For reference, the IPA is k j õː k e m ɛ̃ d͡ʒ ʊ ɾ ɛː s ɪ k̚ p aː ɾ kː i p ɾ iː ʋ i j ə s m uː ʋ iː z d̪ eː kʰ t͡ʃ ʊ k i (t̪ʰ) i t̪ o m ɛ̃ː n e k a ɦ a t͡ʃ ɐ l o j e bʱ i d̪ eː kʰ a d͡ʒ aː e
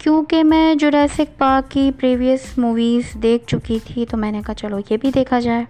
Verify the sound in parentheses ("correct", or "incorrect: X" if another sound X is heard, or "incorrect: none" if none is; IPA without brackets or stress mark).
correct